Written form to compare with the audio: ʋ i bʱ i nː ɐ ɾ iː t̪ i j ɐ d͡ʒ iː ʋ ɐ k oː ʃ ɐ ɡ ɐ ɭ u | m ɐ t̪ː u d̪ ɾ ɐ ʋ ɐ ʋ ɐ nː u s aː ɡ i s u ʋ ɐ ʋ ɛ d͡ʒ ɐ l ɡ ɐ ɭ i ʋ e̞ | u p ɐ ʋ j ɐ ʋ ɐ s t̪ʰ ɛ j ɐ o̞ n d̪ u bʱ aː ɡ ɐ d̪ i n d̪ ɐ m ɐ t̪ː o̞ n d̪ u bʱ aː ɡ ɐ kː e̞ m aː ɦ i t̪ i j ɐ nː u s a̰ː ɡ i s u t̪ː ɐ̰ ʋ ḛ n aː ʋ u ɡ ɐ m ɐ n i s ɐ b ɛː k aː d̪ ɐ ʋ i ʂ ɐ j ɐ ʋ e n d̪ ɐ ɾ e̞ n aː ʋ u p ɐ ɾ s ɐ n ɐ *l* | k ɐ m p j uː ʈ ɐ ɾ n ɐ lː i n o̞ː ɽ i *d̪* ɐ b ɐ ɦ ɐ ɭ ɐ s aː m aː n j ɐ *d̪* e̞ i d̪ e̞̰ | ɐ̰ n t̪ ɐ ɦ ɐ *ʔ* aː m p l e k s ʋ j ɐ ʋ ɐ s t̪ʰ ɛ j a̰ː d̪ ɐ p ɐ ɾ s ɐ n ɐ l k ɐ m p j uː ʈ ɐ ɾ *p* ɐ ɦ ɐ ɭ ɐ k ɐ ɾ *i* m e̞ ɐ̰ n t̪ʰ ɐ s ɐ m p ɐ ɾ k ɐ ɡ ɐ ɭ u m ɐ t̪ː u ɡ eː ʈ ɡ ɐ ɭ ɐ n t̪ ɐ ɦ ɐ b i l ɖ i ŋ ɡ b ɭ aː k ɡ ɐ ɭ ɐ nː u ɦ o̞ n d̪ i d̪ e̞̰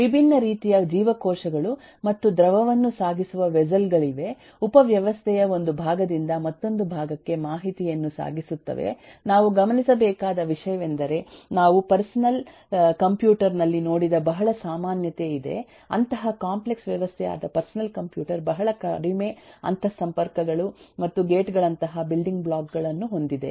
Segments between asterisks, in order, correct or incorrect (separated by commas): correct, correct, incorrect, incorrect, incorrect, correct